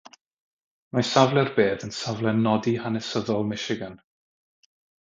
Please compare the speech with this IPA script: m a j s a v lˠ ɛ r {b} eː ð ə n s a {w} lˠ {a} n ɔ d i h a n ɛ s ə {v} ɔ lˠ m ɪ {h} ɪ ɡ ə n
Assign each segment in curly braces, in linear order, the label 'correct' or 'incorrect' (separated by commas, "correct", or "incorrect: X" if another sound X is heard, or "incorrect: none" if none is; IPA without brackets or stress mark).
correct, incorrect: v, incorrect: ɛ, incorrect: ð, incorrect: ʃ